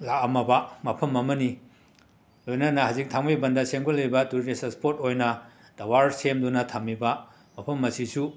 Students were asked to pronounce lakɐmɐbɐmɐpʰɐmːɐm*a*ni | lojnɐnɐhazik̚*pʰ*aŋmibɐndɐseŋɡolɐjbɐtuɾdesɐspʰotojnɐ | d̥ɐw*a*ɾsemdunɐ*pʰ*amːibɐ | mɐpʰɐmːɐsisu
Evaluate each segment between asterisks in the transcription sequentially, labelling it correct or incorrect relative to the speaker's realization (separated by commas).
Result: incorrect, incorrect, correct, incorrect